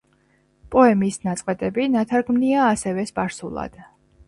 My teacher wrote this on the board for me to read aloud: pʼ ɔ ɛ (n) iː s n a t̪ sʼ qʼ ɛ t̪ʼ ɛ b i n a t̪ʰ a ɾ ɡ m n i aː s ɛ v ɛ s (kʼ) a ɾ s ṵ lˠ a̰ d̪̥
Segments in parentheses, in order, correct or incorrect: incorrect, incorrect

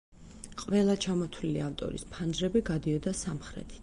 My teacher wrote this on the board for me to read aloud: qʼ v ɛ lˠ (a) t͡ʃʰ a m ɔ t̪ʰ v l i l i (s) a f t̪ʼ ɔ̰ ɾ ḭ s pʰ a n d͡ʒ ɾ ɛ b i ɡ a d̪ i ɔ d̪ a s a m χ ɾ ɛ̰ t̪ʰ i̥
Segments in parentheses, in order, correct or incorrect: correct, incorrect

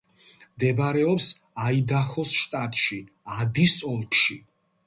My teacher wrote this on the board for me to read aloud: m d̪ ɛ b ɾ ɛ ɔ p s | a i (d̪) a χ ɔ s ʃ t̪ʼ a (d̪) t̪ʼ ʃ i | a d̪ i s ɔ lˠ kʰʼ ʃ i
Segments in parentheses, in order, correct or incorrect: correct, incorrect

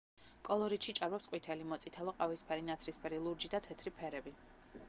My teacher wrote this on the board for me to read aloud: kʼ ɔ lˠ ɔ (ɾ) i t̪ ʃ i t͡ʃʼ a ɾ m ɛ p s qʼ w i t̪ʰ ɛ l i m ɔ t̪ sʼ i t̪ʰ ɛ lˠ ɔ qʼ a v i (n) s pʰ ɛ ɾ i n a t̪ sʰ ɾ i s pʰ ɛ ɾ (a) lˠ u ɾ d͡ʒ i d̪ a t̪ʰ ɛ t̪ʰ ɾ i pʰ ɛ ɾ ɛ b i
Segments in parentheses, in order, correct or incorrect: correct, incorrect, incorrect

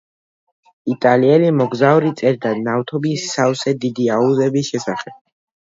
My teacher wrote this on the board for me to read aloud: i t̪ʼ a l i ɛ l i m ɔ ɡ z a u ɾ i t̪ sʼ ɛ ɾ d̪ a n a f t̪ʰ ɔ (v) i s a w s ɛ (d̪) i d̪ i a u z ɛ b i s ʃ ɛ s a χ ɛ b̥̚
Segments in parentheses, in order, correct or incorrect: incorrect, correct

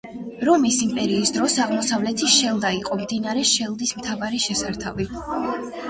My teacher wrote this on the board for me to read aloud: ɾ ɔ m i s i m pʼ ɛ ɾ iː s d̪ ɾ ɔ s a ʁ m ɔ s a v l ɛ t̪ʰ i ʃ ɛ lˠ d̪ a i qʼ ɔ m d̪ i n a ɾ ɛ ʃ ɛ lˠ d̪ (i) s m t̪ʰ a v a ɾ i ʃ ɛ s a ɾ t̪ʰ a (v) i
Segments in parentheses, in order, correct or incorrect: correct, correct

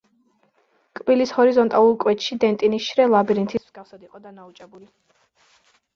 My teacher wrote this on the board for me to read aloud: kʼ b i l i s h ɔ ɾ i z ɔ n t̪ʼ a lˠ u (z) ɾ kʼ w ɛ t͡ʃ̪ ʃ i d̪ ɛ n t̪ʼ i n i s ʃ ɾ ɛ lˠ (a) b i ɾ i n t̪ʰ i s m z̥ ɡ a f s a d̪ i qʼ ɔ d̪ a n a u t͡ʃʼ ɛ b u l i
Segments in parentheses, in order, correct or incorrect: incorrect, correct

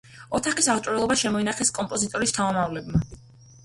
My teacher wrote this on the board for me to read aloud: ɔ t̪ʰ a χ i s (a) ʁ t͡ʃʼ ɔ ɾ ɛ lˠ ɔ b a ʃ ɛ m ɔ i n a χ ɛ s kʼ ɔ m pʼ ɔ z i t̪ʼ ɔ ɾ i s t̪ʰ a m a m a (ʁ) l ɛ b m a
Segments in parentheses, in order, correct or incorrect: correct, incorrect

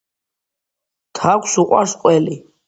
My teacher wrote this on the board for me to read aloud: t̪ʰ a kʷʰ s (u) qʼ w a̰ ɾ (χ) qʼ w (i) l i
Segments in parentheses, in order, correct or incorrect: correct, incorrect, incorrect

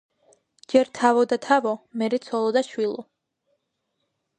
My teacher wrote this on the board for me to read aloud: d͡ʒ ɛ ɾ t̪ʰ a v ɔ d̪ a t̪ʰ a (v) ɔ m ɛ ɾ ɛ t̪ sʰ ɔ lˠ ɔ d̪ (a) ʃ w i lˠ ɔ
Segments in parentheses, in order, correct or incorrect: correct, correct

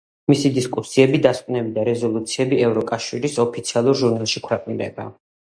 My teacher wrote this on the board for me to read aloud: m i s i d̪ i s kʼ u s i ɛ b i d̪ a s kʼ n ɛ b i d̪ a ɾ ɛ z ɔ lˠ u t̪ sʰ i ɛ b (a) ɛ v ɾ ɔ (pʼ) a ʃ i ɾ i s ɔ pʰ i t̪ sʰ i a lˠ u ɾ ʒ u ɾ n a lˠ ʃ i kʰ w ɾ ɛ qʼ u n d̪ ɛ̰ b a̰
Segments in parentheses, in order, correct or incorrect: incorrect, incorrect

